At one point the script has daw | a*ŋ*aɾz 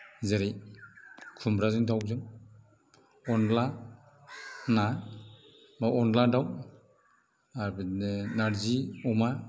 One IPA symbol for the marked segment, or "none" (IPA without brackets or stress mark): n